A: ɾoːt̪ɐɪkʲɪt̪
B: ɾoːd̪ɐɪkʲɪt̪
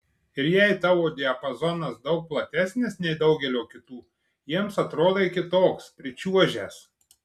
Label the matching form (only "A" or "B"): B